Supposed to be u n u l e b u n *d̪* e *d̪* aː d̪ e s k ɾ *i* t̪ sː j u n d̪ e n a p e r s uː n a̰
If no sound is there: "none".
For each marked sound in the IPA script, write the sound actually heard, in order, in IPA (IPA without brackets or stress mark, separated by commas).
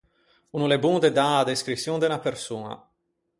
d̪, d̪, i